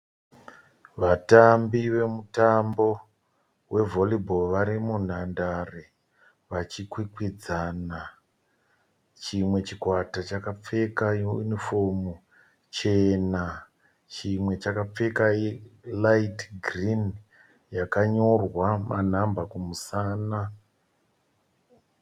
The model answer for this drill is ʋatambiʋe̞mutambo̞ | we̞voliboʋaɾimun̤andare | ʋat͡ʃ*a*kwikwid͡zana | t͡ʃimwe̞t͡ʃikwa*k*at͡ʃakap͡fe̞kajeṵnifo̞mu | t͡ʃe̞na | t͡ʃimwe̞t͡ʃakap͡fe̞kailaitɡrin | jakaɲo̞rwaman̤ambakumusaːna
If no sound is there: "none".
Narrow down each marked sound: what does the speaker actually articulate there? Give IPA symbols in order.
i, t

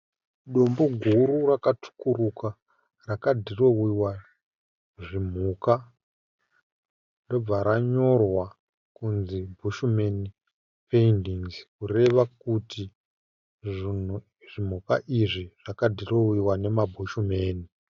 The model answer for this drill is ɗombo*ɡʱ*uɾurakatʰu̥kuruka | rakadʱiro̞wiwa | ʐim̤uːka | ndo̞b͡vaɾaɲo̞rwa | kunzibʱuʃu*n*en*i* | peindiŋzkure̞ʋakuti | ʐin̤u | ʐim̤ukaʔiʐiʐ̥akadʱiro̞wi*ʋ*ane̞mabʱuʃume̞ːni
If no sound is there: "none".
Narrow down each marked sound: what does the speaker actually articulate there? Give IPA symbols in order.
ɡʱ, m, i, w

